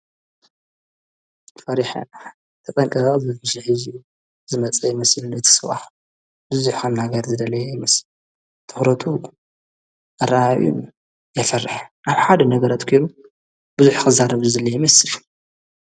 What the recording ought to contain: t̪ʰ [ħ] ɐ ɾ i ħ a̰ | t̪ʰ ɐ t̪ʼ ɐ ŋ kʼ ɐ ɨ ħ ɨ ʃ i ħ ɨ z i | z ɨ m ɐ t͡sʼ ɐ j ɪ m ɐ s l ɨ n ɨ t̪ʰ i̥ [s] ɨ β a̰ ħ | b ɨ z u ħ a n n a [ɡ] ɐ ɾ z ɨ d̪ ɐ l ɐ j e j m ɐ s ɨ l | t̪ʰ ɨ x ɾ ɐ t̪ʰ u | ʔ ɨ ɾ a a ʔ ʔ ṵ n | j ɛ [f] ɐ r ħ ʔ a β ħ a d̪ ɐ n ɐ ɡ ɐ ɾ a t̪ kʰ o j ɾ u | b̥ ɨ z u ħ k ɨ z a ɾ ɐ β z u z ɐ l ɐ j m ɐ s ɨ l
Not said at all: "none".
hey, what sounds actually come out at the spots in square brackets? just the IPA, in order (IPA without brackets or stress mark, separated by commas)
f, s, ɡ, f